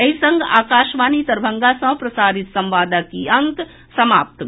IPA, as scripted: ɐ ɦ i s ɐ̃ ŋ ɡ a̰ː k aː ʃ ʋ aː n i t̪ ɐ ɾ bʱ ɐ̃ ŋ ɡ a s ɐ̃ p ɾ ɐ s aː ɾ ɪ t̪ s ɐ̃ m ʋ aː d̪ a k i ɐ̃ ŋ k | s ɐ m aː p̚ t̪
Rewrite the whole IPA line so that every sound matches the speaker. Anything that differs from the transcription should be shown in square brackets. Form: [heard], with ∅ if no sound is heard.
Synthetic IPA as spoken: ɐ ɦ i s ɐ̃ ŋ ɡ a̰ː k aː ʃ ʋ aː n i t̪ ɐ ɾ bʱ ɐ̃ ŋ ɡ a s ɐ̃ p ɾ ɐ s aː ɾ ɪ t̪ s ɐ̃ m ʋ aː d̪ a k i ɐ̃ ŋ k | s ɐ m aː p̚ t̪